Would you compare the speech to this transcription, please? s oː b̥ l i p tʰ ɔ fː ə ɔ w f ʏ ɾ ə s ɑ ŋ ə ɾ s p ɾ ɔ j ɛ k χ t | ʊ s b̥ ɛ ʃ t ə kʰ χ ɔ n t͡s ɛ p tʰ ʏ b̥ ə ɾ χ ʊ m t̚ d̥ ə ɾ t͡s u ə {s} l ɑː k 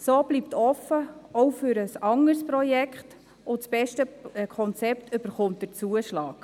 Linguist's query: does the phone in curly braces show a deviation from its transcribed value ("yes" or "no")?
yes